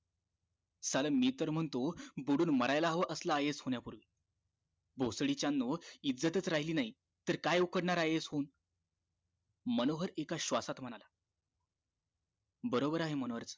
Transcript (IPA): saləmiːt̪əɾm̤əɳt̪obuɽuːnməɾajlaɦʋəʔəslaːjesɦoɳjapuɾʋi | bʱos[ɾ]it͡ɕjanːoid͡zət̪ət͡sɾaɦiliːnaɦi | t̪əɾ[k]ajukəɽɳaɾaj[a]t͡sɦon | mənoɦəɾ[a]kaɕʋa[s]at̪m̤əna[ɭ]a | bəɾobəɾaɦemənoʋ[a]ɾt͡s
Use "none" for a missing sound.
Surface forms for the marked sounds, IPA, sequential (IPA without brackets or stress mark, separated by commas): ɽ, k, e, e, s, l, ə